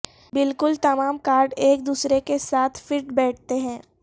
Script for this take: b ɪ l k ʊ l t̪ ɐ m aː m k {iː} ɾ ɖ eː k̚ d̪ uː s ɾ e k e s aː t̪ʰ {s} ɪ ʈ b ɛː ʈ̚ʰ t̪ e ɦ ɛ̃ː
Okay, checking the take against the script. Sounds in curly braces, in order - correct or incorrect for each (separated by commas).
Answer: incorrect, incorrect